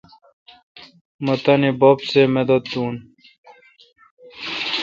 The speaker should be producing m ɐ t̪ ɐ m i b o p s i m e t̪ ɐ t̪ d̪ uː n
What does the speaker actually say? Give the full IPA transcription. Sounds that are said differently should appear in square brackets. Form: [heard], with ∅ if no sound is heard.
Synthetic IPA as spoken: m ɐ t̪ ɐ [n] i b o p s [e] m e [d̪] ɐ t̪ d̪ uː n